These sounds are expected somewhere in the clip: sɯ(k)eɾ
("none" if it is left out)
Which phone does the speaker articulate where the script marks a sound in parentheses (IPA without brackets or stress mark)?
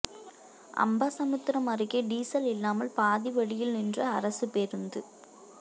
p